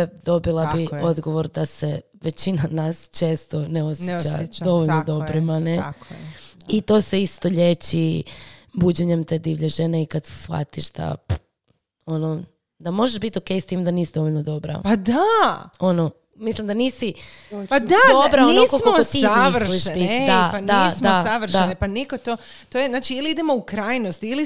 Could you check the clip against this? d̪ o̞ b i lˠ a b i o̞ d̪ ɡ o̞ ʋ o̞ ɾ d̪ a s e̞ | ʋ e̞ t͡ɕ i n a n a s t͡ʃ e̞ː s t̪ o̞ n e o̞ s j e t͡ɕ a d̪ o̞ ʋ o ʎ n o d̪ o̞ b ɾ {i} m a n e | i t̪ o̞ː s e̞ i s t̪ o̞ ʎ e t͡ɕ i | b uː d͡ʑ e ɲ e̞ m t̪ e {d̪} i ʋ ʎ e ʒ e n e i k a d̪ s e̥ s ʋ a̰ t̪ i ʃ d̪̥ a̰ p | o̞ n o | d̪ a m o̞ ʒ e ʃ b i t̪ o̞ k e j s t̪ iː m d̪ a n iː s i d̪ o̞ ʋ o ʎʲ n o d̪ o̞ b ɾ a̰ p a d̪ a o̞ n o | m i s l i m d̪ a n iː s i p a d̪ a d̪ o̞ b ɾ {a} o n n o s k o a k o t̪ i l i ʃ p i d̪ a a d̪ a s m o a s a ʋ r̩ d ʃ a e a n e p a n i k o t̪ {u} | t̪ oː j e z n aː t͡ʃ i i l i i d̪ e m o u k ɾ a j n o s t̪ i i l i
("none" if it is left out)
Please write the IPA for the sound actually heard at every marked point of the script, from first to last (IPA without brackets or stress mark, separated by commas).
i, d̪, a, o